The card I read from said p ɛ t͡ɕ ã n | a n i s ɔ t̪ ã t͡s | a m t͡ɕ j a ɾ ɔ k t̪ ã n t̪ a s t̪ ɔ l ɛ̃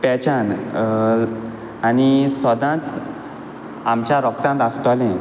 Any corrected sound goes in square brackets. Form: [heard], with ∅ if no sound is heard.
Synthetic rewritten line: p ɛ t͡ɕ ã n | a n i s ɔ [d̪] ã t͡s | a m t͡ɕ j a ɾ ɔ k t̪ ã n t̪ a s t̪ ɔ l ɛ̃

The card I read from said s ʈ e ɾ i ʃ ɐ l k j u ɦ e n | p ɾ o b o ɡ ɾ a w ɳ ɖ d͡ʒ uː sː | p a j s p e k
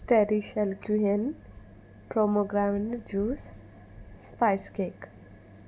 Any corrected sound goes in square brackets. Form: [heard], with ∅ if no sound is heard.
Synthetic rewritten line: s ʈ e ɾ i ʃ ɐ l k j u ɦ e n | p ɾ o [m] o ɡ ɾ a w ɳ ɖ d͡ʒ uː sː | p a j s [k] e k

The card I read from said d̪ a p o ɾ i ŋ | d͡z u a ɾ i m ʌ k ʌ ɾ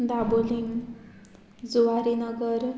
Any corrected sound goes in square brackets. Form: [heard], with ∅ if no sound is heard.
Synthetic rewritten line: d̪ a [b] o [l] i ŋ | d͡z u a ɾ i [n] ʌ [ɡ] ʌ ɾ

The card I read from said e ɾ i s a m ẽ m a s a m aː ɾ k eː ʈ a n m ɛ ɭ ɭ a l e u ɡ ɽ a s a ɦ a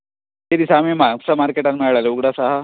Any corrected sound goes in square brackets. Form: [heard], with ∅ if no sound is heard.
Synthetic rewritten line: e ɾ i s a m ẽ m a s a m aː ɾ k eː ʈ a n m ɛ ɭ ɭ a l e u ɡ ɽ a s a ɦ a

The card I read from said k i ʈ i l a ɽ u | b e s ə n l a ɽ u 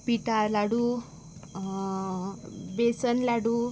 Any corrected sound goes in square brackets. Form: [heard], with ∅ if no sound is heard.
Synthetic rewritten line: [p] i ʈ [a] l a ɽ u | b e s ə n l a ɽ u

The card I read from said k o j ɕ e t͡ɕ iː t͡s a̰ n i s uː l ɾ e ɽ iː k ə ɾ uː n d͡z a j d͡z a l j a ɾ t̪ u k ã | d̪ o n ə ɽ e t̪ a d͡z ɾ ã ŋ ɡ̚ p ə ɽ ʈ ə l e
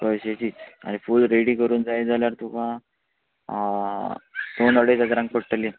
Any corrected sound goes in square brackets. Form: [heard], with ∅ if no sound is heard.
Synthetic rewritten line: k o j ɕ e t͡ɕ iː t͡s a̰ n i [f] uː l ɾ e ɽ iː k ə ɾ uː n d͡z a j d͡z a l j a ɾ t̪ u k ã | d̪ o n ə ɽ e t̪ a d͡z ɾ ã ŋ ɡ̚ p ə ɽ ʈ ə l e

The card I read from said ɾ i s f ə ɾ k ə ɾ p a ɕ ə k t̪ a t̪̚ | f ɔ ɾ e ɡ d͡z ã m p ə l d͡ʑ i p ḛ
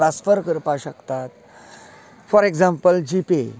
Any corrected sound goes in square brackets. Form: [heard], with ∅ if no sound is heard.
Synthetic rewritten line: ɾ [a] s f ə ɾ k ə ɾ p a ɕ ə k t̪ a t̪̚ | f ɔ ɾ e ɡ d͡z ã m p ə l d͡ʑ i p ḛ

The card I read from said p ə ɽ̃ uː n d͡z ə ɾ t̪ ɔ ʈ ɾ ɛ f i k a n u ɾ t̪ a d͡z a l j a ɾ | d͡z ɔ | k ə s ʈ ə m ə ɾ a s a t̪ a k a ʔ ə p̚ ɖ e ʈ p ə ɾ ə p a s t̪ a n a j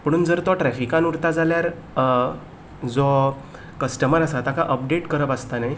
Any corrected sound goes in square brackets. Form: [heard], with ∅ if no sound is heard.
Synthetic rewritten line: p ə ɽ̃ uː n d͡z ə ɾ t̪ ɔ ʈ ɾ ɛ f i k a n u ɾ t̪ a d͡z a l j a ɾ | d͡z ɔ | k ə s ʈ ə m ə ɾ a s a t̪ a k a ʔ ə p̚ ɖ e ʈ [k] ə ɾ ə p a s t̪ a n a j

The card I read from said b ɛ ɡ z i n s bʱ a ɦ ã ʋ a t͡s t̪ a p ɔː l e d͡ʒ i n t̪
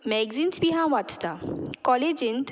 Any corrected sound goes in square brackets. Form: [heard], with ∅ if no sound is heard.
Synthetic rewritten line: [m] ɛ ɡ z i n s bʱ [i] ɦ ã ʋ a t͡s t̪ a [k] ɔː l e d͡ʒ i n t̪

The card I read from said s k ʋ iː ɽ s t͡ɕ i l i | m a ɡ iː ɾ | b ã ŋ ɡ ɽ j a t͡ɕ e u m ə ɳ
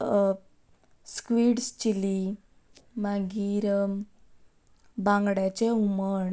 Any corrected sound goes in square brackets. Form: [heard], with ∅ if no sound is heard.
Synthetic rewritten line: s k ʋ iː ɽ s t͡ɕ i l i | m a ɡ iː ɾ | b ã ŋ ɡ ɽ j a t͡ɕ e u m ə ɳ

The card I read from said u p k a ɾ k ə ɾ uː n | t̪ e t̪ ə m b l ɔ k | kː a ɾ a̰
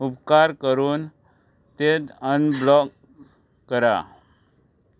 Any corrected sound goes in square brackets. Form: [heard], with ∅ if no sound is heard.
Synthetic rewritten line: u p k a ɾ k ə ɾ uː n | t̪ e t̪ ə [n] b l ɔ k | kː [ə] ɾ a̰

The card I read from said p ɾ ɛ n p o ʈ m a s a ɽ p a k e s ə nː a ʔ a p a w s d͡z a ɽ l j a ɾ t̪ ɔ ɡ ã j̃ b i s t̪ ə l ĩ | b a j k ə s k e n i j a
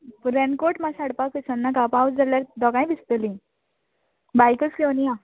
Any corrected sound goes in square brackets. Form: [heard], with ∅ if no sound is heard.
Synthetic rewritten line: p ɾ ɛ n [k] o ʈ m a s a ɽ p a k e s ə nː a [k] a p a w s d͡z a [∅] l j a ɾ [d̪] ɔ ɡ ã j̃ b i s t̪ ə l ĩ | b a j k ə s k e n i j a

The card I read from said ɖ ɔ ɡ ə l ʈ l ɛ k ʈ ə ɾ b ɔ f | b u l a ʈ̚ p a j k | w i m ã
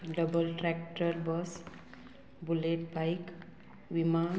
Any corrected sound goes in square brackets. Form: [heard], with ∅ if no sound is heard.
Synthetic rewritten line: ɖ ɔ [b] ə l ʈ [ɾ] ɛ k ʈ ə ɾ b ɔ [s] | b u l [e] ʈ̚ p a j k | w i m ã

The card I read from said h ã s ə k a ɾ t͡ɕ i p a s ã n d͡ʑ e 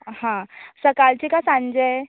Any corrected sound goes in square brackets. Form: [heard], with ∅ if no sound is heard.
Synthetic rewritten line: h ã s ə k a [l] t͡ɕ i [k] a s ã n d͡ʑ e

